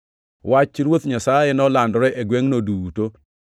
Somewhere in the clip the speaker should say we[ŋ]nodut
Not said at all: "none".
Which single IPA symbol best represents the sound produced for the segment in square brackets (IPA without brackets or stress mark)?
ŋ